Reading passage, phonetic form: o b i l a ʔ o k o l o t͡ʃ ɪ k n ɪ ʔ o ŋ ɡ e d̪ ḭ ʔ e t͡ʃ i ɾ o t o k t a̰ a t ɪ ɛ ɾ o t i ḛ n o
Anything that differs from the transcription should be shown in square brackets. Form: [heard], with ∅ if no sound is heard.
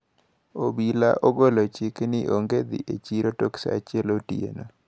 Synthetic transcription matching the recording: o b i l a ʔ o [ɡ] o l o t͡ʃ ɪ k n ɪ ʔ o ŋ ɡ e d̪ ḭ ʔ e t͡ʃ i ɾ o t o k [s] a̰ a [t͡ʃ] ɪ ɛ [l] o t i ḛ n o